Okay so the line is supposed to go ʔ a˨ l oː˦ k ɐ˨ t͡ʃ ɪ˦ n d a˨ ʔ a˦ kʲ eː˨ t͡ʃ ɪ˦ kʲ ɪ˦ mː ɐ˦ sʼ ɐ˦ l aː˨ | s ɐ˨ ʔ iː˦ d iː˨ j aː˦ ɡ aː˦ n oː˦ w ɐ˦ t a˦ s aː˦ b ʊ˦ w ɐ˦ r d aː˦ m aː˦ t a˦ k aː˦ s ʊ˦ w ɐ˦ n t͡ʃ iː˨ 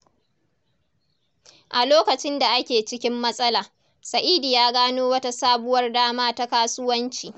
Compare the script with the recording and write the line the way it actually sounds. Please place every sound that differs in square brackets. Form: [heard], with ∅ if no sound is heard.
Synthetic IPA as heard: ʔ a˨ l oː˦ k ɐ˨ t͡ʃ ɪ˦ n d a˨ ʔ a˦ kʲ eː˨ t͡ʃ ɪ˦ kʲ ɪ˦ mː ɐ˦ sʼ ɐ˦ l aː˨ | s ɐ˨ ʔ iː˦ d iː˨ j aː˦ ɡ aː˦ n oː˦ w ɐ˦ t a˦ s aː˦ b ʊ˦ w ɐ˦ r d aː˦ m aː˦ t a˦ k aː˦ s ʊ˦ w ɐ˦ n t͡ʃ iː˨